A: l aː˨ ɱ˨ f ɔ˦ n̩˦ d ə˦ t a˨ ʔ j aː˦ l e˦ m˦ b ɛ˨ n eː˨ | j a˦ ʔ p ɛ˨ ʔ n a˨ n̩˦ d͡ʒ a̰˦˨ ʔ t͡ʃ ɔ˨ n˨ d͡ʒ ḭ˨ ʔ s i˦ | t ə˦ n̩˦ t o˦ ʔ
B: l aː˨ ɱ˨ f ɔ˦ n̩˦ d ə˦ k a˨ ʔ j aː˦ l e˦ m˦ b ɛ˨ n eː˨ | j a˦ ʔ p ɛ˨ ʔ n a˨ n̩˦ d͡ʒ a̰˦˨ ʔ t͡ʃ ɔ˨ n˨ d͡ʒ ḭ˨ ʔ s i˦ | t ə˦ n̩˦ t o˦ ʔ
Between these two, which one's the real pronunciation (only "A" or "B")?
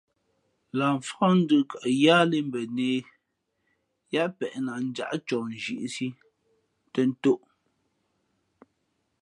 B